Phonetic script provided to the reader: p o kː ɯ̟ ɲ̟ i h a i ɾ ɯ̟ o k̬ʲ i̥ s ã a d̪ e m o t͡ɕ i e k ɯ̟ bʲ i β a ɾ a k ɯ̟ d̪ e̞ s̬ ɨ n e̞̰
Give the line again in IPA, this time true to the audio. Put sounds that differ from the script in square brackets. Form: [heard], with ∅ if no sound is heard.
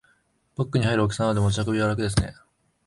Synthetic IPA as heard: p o kː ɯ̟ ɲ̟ i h a i ɾ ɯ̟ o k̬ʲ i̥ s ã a d̪ e m o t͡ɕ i [a] k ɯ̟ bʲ i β a ɾ a k ɯ̟ d̪ e̞ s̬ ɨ n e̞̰